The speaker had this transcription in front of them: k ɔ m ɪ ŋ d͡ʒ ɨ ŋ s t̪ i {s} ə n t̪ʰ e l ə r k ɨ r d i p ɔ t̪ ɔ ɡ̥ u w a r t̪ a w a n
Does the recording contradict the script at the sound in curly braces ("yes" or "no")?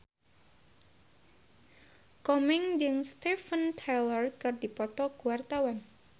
yes